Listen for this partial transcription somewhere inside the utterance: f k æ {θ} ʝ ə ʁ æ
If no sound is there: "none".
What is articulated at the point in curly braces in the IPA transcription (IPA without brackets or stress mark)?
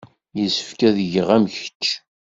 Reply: ð